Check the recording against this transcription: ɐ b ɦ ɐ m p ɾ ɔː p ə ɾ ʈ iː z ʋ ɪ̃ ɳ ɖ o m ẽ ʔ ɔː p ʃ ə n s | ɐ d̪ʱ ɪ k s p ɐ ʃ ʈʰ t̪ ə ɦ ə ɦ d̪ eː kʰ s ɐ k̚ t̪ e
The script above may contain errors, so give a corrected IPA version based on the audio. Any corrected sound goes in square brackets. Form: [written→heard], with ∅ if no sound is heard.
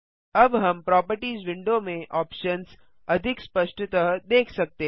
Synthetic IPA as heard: ɐ b ɦ ɐ m p ɾ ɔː p ə ɾ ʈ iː z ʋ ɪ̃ ɳ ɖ o m ẽ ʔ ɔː p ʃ ə n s | ɐ d̪ʱ ɪ k s p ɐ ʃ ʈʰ t̪ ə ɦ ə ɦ d̪ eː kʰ s ɐ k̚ t̪ e